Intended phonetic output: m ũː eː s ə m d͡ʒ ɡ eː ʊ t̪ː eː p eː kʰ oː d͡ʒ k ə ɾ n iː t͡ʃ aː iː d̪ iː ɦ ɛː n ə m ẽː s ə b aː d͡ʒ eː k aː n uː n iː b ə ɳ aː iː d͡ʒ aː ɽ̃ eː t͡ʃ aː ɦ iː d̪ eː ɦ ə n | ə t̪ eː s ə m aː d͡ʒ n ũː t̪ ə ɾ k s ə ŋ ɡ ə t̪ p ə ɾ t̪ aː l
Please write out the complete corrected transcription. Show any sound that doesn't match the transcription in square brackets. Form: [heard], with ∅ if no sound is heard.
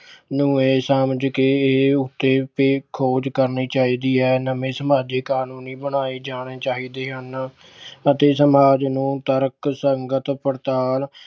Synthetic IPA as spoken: [n] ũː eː s ə m d͡ʒ [k] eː ʊ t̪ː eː p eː kʰ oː d͡ʒ k ə ɾ n iː t͡ʃ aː iː d̪ iː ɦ ɛː n ə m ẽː s ə [m] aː d͡ʒ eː k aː n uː n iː b ə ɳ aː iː d͡ʒ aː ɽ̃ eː t͡ʃ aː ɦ iː d̪ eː ɦ ə n | ə t̪ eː s ə m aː d͡ʒ n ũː t̪ ə ɾ k s ə ŋ ɡ ə t̪ p ə ɾ t̪ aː l